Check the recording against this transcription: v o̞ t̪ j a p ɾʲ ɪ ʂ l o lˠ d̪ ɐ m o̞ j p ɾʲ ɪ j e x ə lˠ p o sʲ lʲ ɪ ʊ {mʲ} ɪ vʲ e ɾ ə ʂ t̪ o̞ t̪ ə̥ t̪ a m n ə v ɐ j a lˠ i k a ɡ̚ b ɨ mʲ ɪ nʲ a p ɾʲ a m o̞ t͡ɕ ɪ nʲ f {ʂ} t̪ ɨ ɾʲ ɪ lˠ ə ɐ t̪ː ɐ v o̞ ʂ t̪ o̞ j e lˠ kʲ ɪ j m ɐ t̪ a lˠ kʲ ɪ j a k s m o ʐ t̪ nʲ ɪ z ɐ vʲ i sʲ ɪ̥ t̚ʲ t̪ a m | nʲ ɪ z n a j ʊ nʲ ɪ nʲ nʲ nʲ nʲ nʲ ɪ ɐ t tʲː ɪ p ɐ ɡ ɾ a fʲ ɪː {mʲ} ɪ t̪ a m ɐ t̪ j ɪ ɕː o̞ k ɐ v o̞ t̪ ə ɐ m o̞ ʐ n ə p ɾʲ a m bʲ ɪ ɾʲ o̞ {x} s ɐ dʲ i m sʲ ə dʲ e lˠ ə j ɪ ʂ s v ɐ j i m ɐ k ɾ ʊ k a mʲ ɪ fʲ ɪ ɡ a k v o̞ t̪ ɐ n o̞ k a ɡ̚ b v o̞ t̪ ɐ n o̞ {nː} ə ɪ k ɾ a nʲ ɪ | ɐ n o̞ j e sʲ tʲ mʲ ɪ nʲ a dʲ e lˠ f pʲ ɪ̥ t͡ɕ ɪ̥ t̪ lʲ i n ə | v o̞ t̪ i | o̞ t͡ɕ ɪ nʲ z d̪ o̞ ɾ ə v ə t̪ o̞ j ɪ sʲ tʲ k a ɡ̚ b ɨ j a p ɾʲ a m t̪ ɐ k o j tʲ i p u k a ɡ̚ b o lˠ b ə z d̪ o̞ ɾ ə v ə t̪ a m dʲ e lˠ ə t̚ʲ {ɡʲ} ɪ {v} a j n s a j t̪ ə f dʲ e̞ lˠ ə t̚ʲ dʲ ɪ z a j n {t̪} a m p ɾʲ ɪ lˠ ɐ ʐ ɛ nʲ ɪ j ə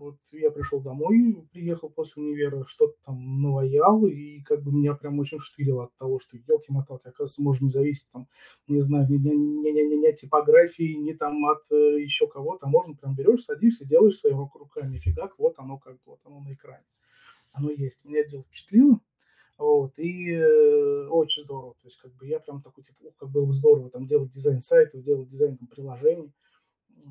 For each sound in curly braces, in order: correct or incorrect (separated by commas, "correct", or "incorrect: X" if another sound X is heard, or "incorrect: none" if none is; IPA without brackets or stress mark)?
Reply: incorrect: nʲ, correct, incorrect: nʲ, incorrect: ʂ, incorrect: n, incorrect: dʲ, incorrect: z, correct